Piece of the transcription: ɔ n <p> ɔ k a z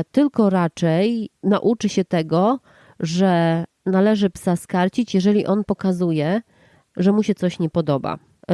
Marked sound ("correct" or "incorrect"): correct